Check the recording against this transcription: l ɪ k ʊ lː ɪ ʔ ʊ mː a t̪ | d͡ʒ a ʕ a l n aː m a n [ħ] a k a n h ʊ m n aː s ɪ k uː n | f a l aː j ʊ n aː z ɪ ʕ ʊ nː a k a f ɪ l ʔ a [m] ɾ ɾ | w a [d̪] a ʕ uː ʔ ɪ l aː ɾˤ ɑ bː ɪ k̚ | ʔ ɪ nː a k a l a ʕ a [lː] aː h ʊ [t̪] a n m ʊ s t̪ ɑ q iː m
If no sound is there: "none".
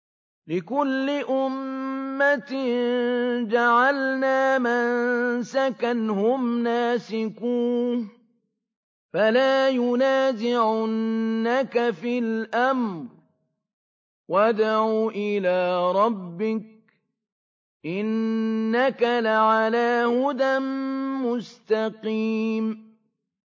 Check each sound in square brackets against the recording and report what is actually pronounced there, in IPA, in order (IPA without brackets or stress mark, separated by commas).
s, m, d̪, l, d̪